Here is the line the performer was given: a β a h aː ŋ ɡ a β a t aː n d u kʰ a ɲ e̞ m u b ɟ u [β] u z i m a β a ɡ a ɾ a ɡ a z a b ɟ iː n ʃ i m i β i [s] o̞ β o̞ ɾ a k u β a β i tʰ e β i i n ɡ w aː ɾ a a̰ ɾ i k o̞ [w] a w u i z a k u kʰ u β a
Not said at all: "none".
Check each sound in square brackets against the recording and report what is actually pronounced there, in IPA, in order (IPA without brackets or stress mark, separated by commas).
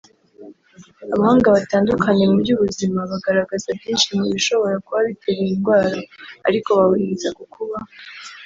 β, ʃ, β